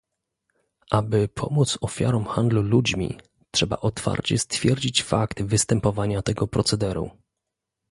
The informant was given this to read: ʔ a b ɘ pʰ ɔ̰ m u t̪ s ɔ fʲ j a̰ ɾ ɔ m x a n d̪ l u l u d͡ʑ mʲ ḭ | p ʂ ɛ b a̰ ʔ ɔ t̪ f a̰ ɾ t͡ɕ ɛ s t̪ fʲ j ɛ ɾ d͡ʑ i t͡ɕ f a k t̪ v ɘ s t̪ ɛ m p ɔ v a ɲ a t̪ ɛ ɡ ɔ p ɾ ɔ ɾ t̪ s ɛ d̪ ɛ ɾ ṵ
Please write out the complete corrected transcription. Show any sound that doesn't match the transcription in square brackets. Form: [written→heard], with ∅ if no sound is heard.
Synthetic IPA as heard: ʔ a b ɘ pʰ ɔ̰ m u t̪ s ɔ fʲ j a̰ ɾ ɔ m x a n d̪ l u l u d͡ʑ mʲ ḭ | [p→t] ʂ ɛ b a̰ ʔ ɔ t̪ f a̰ ɾ t͡ɕ ɛ s t̪ fʲ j ɛ ɾ d͡ʑ i t͡ɕ f a k t̪ v ɘ s t̪ ɛ m p ɔ v a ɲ a t̪ ɛ ɡ ɔ p ɾ ɔ [ɾ→∅] t̪ s ɛ d̪ ɛ ɾ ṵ